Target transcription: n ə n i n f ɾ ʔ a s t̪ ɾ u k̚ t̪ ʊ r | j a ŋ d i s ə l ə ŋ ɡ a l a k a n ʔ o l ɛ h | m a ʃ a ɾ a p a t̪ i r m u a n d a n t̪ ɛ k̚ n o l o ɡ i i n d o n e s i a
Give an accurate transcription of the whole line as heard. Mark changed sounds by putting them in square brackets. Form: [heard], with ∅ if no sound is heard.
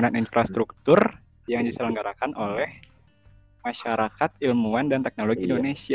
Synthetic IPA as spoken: n [a] n i n f ɾ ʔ a s t̪ ɾ u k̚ t̪ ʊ r | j a ŋ d i s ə l ə ŋ ɡ a [ɾ] a k a n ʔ o l ɛ h | m a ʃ a ɾ a [k] a t̪ i [l] m u a n d a n t̪ ɛ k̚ n o l o ɡ i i n d o n e s i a